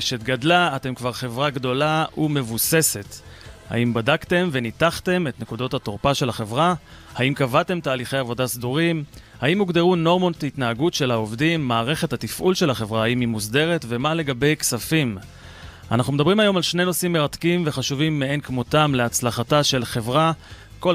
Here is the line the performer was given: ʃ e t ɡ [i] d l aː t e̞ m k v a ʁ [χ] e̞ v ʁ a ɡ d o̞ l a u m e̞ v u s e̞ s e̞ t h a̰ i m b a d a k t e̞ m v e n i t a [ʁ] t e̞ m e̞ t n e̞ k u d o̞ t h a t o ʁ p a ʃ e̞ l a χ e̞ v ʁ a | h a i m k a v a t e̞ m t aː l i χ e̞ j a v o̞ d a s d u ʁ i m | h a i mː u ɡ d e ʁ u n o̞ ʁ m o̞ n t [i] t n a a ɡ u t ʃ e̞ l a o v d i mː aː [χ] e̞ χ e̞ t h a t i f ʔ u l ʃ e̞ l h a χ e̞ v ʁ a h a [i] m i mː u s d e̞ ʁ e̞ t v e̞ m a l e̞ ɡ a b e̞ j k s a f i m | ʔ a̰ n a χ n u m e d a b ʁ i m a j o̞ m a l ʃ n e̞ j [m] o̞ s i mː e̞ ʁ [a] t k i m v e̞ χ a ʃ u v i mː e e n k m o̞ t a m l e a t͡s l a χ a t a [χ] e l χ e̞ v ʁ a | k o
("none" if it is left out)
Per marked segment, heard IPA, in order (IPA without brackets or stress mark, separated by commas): a, χ, χ, i, ʁ, i, n, a, ʃ